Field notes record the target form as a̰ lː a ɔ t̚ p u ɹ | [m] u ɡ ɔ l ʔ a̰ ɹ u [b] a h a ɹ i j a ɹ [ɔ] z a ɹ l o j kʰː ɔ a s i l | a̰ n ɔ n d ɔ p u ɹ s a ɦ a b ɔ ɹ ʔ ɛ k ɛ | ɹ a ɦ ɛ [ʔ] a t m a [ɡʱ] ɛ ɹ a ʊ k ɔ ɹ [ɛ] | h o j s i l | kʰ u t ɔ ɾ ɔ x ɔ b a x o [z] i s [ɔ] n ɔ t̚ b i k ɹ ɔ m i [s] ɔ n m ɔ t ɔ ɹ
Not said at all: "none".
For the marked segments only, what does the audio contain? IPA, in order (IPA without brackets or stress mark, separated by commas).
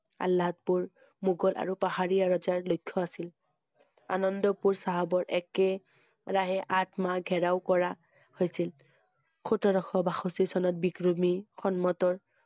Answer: m, p, ɔ, ʔ, ɡʱ, a, s, ɔ, x